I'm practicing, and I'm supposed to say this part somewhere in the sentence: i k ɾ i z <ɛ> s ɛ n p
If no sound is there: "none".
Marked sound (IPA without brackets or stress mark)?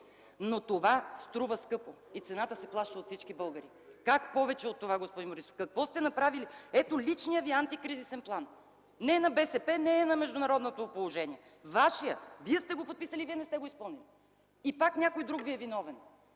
i